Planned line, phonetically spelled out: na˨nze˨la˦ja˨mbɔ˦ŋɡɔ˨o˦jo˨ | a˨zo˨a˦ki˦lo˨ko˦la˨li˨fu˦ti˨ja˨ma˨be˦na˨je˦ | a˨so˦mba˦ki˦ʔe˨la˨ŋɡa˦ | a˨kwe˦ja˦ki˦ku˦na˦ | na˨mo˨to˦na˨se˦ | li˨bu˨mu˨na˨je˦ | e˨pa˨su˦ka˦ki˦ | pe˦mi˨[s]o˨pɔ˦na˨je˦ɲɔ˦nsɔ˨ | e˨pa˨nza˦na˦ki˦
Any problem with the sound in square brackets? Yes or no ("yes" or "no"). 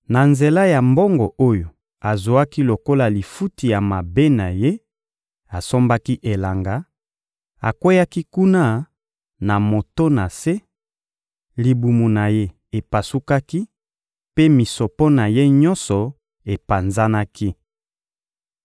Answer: no